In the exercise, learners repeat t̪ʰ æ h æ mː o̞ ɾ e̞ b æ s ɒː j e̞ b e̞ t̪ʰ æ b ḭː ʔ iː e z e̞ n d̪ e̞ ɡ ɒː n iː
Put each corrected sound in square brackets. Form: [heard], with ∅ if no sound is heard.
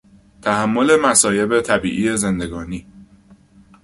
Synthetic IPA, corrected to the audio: t̪ʰ æ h æ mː o̞ [l] e̞ [m] æ s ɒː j e̞ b e̞ t̪ʰ æ b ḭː ʔ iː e z e̞ n d̪ e̞ ɡ ɒː n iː

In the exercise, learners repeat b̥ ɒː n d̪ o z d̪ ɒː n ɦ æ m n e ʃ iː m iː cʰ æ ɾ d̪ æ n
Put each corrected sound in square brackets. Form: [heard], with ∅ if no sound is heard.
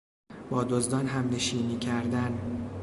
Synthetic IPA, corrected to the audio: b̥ ɒː [∅] d̪ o z d̪ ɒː n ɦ æ m n e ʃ iː [n] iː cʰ æ ɾ d̪ æ n

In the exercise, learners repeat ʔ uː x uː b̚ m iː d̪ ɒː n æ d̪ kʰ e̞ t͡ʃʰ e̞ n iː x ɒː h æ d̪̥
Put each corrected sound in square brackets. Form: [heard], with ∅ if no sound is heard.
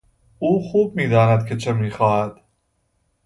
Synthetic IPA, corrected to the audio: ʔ uː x uː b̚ m iː d̪ ɒː n æ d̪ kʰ e̞ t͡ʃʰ e̞ [m] iː x ɒː h æ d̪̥

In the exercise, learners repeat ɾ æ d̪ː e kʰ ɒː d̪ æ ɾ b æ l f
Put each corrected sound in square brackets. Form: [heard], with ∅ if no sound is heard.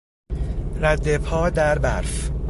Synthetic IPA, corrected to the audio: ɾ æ d̪ː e [pʰ] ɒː d̪ æ ɾ b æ [ɾ] f

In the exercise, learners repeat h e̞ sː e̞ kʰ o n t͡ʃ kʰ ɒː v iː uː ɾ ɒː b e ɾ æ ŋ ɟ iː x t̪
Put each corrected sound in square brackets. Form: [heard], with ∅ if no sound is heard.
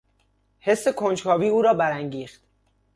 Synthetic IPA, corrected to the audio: h e̞ sː e̞ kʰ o n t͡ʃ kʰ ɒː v iː uː ɾ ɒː b [æ] ɾ æ ŋ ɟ iː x t̪

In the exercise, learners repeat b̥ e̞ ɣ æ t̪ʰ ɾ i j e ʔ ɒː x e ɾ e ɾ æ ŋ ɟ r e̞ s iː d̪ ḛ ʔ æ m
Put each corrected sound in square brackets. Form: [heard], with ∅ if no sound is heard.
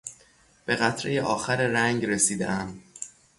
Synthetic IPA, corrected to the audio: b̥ e̞ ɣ æ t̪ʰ ɾ [e] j e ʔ ɒː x [æ] ɾ e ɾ æ ŋ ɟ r e̞ s iː d̪ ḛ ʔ æ m

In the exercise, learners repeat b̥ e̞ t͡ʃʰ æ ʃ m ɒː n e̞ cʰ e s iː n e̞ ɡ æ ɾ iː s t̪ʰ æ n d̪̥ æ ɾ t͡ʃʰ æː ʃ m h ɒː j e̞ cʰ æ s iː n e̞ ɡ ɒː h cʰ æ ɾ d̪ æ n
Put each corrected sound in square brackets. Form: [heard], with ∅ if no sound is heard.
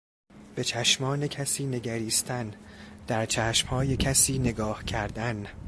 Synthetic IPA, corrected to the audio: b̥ e̞ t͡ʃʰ æ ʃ m ɒː n e̞ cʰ [æ] s iː n e̞ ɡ æ ɾ iː s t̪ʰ æ n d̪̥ æ ɾ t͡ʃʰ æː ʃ m h ɒː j e̞ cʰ æ s iː n e̞ ɡ ɒː h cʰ æ ɾ d̪ æ n

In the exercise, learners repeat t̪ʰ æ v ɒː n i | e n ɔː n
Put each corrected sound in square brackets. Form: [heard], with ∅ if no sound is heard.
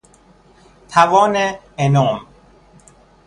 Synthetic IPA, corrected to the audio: t̪ʰ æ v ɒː n [e] | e n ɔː [m]

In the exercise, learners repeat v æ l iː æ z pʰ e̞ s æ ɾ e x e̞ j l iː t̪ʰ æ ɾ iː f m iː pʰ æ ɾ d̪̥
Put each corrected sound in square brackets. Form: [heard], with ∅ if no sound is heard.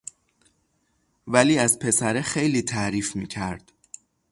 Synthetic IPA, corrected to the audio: v æ l iː æ z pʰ e̞ s æ ɾ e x e̞ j l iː t̪ʰ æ ɾ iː f m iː [cʰ] æ ɾ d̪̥

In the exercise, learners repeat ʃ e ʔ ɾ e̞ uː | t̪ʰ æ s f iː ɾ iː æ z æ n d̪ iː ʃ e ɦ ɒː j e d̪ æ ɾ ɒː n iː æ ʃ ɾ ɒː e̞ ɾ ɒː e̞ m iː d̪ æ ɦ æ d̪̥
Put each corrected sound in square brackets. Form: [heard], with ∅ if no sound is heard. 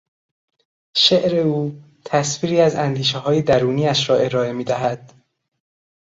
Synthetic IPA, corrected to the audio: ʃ e ʔ ɾ e̞ uː | t̪ʰ æ s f iː ɾ iː æ z æ n d̪ iː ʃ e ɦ ɒː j e d̪ æ ɾ [uː] n iː æ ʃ ɾ ɒː e̞ ɾ ɒː e̞ m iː d̪ æ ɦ æ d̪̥

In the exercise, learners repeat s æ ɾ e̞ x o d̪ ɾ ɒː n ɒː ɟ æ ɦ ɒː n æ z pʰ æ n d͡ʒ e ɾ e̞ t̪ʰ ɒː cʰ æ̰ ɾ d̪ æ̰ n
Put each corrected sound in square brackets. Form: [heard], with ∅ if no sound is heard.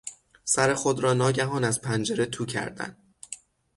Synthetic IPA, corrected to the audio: s æ ɾ e̞ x o d̪ ɾ ɒː n ɒː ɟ æ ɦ ɒː n æ z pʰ æ n d͡ʒ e ɾ e̞ t̪ʰ [uː] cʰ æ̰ ɾ d̪ æ̰ n

